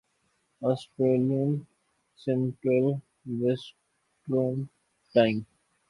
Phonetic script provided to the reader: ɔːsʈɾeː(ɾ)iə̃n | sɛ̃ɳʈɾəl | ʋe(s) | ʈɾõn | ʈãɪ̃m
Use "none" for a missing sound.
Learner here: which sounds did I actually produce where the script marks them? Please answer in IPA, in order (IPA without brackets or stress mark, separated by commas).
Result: l, s